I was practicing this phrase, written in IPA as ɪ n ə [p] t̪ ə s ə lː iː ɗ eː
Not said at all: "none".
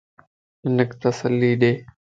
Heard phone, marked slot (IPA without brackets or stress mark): k